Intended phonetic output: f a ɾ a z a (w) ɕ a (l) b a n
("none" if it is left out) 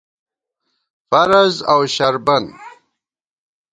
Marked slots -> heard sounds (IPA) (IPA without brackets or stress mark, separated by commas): w, ɾ